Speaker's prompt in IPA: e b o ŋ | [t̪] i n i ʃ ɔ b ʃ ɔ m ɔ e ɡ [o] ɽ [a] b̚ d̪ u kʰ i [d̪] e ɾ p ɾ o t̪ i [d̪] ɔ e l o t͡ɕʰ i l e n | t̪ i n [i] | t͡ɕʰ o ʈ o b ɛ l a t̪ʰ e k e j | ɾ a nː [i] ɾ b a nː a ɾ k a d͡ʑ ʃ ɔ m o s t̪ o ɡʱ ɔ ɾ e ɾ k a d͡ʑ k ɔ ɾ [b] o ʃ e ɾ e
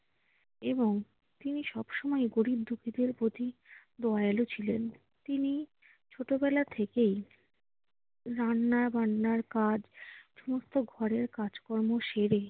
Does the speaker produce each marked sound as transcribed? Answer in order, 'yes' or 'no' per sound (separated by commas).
yes, yes, no, yes, yes, yes, no, no